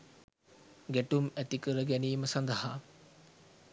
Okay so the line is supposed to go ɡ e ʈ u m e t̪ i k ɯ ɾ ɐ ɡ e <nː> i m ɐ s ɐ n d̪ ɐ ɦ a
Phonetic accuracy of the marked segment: incorrect: n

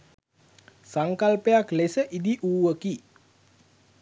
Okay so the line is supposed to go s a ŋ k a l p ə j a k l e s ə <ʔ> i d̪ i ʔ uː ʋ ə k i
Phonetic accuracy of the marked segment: correct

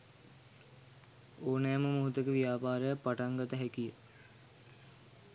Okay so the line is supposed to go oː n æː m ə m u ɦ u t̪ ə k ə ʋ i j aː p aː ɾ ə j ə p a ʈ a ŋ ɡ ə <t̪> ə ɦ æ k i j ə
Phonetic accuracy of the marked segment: correct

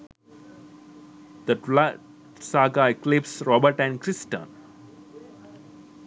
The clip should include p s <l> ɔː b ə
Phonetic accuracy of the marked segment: incorrect: ɾ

